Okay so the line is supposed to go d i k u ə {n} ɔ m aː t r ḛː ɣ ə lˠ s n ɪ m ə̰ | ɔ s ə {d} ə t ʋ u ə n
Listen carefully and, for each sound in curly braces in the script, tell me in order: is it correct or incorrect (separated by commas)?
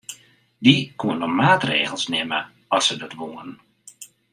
correct, correct